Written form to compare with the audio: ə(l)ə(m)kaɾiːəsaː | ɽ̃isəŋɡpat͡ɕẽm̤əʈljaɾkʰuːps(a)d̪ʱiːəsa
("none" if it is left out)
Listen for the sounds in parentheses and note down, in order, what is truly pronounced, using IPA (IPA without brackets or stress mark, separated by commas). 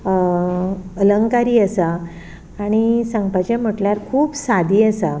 l, ŋ, a